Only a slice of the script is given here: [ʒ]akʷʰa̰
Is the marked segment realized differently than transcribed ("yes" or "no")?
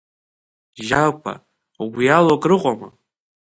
no